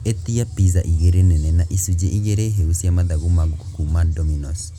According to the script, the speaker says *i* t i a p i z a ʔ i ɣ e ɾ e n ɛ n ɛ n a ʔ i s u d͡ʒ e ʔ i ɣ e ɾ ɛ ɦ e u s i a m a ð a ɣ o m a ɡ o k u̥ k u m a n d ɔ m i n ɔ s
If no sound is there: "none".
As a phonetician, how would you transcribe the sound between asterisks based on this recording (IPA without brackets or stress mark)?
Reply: e